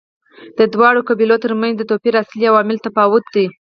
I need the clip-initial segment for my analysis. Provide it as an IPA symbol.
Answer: d̪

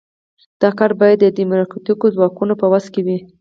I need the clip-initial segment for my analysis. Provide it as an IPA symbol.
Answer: d̪̥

